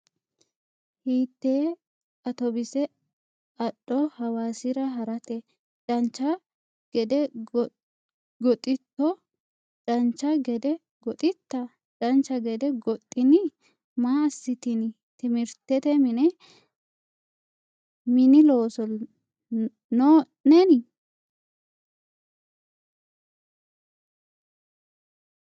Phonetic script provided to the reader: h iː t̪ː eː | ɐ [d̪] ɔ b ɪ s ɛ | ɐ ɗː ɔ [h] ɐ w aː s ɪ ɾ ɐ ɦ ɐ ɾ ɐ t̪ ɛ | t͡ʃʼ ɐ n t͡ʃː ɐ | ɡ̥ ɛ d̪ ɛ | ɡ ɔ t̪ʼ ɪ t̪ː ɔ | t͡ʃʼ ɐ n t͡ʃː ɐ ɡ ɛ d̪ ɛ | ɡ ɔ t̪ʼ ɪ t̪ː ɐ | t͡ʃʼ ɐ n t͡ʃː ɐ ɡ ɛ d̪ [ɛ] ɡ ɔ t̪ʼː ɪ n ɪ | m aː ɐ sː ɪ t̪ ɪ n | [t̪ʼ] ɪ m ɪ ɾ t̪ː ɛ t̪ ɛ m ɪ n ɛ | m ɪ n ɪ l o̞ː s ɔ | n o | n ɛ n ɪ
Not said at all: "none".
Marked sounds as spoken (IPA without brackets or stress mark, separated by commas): t̪, h, ɛ, t̪